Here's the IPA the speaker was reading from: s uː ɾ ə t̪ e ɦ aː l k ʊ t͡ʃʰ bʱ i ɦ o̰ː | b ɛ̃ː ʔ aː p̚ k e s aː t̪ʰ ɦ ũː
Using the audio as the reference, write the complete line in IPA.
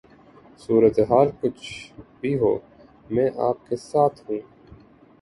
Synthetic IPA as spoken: s uː ɾ ə t̪ e ɦ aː l k ʊ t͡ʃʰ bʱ i ɦ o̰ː | m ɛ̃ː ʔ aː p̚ k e s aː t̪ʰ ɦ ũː